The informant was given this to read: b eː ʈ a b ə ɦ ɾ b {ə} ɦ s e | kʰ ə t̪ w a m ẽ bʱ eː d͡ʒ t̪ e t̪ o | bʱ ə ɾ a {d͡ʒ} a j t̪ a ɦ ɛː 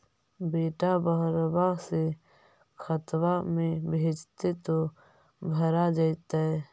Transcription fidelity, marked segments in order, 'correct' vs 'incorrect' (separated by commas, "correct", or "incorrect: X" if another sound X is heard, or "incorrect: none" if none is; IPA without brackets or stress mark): incorrect: a, correct